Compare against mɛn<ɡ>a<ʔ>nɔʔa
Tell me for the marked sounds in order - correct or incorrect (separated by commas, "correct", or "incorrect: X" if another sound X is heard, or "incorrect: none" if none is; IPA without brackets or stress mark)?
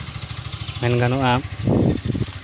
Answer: correct, incorrect: none